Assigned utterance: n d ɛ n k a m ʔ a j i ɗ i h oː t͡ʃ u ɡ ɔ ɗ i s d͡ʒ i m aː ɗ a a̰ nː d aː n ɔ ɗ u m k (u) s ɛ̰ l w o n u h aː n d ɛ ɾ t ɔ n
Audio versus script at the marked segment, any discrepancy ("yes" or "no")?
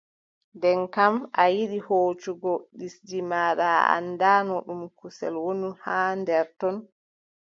no